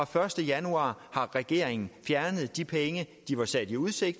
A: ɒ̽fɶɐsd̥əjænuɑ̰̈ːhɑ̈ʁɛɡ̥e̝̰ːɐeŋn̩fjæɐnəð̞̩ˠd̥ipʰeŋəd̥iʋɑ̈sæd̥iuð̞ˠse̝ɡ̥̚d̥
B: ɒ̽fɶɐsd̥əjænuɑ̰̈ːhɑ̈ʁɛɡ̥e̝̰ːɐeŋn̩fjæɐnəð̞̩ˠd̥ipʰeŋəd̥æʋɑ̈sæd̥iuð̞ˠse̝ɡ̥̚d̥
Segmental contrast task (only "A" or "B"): A